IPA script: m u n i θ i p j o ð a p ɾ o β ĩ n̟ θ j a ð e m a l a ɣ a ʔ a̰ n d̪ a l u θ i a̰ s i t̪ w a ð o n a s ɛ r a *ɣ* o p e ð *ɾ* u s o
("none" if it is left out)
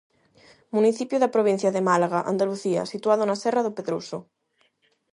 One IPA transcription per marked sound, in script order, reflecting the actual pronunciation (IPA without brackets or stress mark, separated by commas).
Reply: ð, ɾ